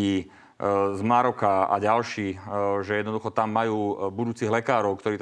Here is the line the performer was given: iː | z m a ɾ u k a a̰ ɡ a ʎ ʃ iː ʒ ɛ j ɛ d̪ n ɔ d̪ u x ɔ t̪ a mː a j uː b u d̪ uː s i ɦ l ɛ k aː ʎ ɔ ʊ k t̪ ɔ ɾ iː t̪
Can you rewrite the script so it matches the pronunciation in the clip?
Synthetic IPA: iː | z m a ɾ ɔ k a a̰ ɟ a l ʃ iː ʒ ɛ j ɛ d̪ n ɔ d̪ u x ɔ t̪ a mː a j uː b u d̪ uː t͡s i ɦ l ɛ k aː ɾ ɔ ʊ k t̪ ɔ ɾ iː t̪